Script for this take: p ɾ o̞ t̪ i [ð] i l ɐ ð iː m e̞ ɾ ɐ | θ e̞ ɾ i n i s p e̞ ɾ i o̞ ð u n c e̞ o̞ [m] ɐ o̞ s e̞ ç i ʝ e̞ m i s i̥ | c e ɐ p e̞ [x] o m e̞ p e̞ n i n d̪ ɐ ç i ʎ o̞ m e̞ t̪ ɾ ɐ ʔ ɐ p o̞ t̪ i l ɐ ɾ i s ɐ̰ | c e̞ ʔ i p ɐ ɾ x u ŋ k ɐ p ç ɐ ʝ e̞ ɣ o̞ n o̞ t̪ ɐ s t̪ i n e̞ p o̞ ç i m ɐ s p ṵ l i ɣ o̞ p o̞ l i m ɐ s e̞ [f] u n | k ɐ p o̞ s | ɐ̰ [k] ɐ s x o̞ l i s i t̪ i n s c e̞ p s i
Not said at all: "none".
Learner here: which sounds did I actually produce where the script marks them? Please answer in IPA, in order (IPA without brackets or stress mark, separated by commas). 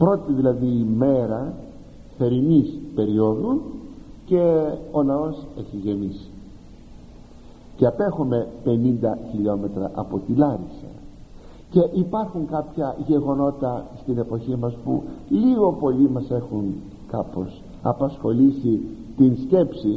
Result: ð, n, x, x, p